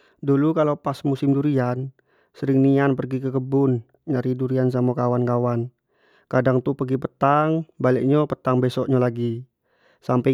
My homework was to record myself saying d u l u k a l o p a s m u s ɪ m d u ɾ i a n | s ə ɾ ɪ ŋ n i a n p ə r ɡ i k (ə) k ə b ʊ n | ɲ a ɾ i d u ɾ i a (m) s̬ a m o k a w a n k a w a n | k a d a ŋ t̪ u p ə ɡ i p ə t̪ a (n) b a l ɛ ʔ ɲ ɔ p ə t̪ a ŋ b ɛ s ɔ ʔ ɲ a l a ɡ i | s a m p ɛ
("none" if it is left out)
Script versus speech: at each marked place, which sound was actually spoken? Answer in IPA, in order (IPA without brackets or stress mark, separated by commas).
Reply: ə, n, ŋ